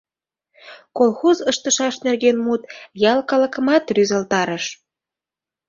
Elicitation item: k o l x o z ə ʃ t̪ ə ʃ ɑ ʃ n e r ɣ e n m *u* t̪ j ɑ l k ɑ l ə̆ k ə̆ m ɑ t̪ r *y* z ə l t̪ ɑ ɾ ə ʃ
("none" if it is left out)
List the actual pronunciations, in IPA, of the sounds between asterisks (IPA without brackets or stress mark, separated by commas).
u, y